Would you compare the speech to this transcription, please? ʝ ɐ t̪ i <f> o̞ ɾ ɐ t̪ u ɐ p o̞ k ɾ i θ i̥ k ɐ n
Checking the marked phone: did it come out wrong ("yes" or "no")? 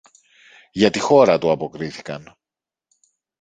yes